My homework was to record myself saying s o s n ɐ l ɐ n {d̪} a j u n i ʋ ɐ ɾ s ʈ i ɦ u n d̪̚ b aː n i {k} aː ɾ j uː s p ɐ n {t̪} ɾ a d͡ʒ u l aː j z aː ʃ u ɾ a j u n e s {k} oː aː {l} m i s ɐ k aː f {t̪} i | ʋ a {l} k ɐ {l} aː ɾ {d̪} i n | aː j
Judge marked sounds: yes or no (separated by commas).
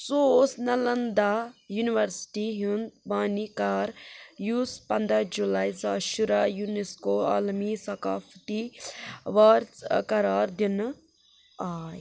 yes, yes, no, yes, yes, yes, no, no, yes